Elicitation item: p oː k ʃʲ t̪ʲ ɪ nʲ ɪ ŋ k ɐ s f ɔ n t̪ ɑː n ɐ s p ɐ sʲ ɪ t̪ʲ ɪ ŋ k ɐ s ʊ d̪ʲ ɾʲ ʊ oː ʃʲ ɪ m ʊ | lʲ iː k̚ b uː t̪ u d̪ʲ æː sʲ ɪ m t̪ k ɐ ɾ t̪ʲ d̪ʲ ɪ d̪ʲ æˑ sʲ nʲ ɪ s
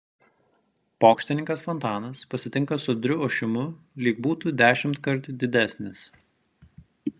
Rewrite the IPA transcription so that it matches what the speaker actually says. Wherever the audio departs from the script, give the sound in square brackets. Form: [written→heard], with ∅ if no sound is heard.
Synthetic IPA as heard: p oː k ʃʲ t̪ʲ ɪ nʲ ɪ ŋ k ɐ s f ɔ n t̪ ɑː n ɐ s p ɐ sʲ ɪ t̪ʲ ɪ ŋ k ɐ s ʊ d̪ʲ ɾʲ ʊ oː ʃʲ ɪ m ʊ | lʲ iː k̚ b uː t̪ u d̪ʲ æː [sʲ→ʃʲ] ɪ m t̪ k ɐ ɾ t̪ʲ d̪ʲ ɪ d̪ʲ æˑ sʲ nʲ ɪ s